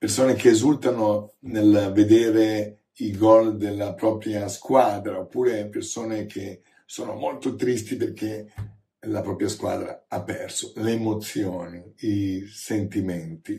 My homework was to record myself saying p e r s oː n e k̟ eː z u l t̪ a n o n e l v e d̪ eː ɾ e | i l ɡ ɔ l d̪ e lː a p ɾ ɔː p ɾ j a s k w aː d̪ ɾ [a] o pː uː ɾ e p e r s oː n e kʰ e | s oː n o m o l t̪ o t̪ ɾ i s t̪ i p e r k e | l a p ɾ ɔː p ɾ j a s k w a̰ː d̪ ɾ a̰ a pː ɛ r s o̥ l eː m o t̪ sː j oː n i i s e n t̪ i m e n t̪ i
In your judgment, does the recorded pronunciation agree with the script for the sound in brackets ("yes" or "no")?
yes